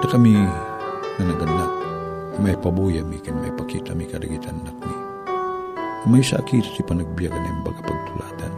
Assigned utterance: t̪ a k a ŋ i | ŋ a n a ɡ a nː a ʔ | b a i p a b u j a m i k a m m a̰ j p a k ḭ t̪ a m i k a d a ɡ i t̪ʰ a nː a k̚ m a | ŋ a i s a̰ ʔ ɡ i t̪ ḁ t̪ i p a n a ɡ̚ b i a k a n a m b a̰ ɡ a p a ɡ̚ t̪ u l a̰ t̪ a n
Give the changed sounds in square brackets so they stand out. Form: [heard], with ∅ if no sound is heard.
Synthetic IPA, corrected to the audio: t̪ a k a [m] i | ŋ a n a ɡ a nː a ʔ | [m] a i p a b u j a m i k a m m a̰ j p a k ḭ t̪ a m i k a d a ɡ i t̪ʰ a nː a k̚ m [i] | [m] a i s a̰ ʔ [k] i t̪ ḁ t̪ i p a n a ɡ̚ b i a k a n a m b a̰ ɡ a p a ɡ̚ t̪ u l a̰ t̪ a n